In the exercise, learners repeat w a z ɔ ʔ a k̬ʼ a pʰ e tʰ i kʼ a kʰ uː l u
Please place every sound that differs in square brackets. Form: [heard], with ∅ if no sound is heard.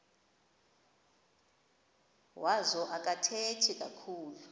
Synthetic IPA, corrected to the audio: w a z ɔ ʔ a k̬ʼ a [tʰ] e tʰ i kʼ a kʰ uː l u